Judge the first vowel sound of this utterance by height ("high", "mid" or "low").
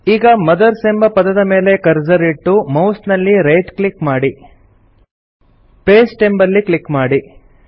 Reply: high